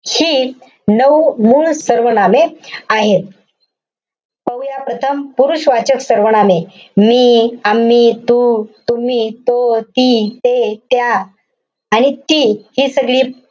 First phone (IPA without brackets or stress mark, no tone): h